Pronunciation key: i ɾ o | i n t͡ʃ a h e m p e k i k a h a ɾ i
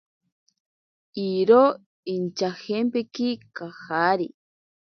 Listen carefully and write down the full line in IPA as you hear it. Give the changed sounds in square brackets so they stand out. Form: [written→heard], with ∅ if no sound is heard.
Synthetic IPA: i ɾ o | i n t͡ʃ a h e m p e k i k a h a ɾ i